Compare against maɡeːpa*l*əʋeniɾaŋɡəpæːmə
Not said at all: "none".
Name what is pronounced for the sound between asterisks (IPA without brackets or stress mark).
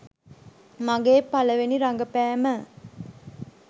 l